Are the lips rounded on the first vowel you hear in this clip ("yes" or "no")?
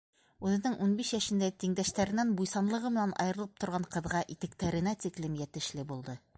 yes